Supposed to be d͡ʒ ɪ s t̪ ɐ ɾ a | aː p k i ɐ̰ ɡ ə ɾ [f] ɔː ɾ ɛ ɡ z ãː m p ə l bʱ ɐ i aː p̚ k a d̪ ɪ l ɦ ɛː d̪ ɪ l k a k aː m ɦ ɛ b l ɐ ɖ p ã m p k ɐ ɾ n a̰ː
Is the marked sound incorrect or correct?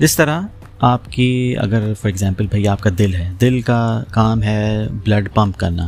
correct